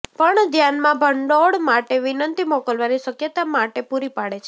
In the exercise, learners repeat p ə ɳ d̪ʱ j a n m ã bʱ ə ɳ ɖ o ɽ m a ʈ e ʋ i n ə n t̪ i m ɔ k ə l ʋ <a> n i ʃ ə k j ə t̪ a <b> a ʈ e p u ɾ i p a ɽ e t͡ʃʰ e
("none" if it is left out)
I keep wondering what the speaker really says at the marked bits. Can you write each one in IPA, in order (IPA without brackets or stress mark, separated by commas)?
a, m